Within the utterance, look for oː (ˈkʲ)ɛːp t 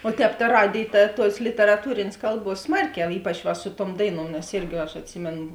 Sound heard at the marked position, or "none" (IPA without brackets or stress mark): tʲ